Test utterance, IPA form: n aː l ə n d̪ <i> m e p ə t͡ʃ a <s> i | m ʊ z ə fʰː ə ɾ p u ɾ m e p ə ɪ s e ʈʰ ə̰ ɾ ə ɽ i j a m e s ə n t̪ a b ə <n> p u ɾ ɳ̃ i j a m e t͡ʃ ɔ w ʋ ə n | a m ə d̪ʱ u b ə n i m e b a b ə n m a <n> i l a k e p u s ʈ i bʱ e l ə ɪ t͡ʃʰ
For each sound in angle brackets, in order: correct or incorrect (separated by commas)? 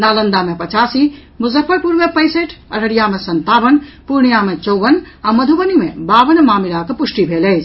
incorrect, correct, correct, incorrect